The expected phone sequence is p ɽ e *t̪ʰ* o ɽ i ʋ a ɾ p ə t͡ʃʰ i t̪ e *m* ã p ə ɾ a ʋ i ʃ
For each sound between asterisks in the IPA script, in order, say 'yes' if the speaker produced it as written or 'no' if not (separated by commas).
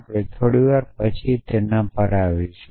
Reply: yes, no